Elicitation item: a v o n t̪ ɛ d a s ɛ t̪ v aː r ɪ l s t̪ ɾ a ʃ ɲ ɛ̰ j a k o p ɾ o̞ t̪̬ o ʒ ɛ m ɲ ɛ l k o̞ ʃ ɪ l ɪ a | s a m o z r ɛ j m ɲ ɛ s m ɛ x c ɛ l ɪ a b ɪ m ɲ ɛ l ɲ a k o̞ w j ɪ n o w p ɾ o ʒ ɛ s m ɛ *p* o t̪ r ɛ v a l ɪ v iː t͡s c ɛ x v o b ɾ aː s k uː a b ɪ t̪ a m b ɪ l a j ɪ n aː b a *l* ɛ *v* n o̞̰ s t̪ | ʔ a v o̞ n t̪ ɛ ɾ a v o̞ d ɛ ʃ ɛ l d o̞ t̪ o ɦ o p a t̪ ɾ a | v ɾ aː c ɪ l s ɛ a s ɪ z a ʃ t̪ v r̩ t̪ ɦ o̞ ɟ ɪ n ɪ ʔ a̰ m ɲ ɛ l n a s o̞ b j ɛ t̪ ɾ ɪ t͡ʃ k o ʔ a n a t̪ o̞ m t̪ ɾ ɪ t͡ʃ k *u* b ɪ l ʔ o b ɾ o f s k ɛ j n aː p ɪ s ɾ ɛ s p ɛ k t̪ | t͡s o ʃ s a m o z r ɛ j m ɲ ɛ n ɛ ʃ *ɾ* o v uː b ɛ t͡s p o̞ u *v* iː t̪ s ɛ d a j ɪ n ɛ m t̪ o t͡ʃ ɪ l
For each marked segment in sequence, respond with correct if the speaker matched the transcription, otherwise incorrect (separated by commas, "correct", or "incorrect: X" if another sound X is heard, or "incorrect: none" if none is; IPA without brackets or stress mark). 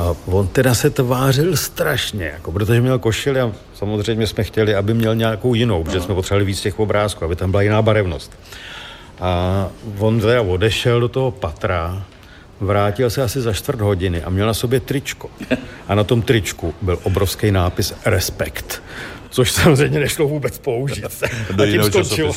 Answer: correct, incorrect: ɾ, correct, correct, incorrect: l, incorrect: ʒ